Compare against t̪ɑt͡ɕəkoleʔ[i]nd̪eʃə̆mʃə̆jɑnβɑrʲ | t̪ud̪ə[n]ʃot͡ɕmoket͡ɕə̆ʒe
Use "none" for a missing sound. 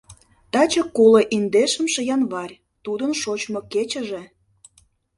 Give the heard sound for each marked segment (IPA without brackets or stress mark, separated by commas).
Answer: i, n